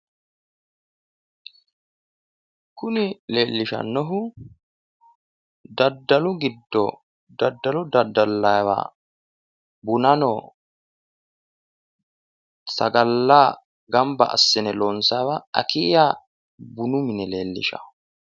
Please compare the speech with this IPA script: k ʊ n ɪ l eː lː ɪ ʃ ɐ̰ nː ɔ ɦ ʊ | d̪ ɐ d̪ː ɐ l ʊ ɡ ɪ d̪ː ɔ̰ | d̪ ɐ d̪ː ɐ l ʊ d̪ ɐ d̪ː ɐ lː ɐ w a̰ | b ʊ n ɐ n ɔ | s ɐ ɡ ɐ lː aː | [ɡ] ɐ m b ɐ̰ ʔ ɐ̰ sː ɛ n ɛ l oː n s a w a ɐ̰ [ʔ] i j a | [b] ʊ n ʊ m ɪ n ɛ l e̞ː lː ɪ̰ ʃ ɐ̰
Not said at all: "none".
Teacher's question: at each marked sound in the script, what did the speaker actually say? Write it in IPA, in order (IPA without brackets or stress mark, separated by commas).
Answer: ɡ, k, b